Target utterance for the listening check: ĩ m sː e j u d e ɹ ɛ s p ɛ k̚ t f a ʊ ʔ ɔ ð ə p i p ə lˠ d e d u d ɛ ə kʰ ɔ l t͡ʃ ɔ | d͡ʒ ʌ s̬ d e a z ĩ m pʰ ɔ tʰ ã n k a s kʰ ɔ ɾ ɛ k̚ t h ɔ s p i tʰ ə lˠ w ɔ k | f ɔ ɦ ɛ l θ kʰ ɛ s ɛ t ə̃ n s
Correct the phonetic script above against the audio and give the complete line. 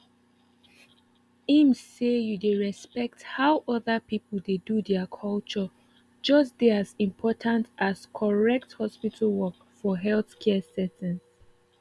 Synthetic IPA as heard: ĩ m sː e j u d e ɹ ɛ s p ɛ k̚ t h a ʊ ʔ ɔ ð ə p i p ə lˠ d e d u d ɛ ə kʰ ɔ l t͡ʃ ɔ | d͡ʒ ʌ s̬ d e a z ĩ m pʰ ɔ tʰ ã n t a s kʰ ɔ ɹ ɛ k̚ t h ɔ s p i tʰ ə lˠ w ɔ k | f ɔ ɦ ɛ l θ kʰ ɛ s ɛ t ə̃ n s